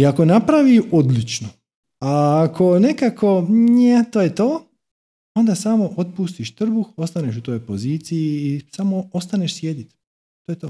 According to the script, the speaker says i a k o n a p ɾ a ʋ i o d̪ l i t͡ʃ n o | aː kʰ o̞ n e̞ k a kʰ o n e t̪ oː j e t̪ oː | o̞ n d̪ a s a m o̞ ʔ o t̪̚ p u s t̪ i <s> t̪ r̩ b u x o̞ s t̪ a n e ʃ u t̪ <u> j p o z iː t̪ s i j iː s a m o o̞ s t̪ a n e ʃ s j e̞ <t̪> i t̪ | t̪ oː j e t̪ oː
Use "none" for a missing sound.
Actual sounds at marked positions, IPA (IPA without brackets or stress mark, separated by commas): ʃ, o, d̪